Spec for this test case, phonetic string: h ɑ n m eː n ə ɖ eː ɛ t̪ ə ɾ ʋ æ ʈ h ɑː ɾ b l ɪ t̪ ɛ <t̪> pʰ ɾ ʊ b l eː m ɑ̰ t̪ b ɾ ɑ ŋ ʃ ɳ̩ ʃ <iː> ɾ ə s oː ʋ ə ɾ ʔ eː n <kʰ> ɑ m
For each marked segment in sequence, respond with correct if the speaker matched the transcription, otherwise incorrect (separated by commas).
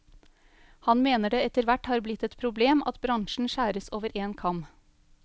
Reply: correct, incorrect, correct